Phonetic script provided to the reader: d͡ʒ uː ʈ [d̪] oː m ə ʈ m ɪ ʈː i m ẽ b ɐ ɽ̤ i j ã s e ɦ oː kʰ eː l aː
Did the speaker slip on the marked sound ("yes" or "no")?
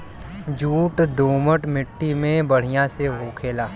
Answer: no